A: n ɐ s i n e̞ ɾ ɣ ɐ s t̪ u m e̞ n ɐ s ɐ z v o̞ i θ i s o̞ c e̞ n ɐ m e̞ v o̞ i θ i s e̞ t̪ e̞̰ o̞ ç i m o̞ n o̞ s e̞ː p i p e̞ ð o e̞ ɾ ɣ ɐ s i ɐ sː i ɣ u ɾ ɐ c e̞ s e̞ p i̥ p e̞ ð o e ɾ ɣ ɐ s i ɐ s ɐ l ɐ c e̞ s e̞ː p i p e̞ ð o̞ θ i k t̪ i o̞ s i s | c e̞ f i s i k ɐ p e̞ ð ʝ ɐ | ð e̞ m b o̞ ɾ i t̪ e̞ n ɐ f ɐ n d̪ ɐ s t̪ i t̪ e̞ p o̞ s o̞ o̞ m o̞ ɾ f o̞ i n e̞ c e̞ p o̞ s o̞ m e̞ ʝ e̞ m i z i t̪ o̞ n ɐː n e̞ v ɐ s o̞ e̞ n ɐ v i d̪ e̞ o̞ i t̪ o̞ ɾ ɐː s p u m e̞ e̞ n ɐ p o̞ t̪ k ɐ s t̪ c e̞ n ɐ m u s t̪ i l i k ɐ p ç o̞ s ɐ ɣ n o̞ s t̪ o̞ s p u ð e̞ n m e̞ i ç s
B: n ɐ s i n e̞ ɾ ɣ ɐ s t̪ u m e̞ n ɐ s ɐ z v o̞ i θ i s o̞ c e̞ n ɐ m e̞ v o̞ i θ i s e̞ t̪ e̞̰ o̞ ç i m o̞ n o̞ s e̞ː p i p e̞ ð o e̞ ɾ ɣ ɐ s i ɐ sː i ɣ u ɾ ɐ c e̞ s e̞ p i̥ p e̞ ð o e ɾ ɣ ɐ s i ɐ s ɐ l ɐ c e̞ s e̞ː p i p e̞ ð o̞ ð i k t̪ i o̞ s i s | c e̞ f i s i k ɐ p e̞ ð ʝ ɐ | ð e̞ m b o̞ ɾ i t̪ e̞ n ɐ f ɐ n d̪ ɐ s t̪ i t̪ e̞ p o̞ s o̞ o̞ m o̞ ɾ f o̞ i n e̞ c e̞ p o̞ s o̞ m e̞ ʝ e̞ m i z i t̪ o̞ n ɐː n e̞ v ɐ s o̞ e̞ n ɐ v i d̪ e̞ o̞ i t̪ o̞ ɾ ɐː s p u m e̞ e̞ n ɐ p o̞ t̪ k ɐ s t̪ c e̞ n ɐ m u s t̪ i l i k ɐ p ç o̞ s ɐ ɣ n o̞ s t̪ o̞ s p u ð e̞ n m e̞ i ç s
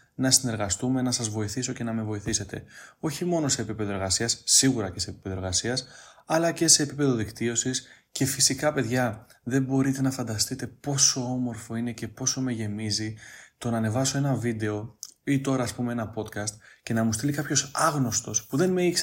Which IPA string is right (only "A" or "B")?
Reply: B